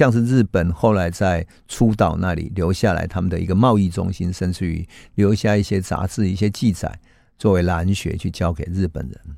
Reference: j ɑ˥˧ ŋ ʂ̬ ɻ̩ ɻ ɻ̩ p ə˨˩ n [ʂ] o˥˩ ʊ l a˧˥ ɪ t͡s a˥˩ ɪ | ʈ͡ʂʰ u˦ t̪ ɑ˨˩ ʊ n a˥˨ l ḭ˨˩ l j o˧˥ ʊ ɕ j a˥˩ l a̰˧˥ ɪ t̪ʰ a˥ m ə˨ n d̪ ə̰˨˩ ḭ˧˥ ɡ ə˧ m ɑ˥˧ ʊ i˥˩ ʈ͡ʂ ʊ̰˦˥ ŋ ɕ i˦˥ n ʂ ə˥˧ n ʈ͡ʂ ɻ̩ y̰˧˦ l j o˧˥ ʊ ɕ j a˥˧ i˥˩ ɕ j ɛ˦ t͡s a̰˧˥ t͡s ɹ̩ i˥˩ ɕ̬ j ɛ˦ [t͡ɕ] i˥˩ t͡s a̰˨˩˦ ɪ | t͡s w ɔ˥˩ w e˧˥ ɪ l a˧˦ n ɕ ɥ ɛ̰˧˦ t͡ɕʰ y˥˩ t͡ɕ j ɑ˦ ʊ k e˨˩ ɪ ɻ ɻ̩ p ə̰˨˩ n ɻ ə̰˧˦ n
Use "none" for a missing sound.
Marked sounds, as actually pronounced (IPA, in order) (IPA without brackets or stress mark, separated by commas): x, t͡ɕ